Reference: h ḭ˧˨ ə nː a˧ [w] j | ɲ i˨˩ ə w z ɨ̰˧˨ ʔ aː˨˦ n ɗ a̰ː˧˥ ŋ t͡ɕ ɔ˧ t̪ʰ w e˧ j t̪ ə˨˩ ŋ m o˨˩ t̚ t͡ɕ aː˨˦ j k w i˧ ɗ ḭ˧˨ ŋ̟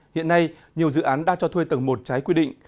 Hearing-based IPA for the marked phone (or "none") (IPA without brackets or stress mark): none